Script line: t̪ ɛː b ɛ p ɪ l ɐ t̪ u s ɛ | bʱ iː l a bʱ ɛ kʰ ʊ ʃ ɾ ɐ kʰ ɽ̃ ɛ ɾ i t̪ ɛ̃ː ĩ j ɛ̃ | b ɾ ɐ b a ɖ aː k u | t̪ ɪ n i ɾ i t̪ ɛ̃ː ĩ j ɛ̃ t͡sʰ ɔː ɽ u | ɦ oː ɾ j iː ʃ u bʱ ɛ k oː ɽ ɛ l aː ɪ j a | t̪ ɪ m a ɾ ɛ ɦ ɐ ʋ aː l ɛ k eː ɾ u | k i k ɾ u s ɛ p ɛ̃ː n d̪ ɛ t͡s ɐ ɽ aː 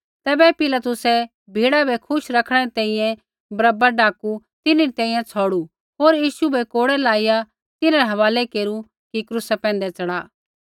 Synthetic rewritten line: t̪ ɛː b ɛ p ɪ l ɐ t̪ ʊ s ɛ | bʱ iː ɽ a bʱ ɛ kʰ ʊ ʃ ɾ ɐ kʰ ɽ̃ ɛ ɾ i t̪ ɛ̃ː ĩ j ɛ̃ | b ɾ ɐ b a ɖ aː k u | t̪ ɪ n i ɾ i t̪ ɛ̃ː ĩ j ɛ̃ t͡sʰ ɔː ɽ u | ɦ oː ɾ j iː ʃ u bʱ ɛ k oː ɽ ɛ l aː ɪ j a | t̪ ɪ n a ɾ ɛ ɦ ɐ ʋ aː l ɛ k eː ɾ u | k i k ɾ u s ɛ p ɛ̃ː n d̪ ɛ t͡s ɐ ɽ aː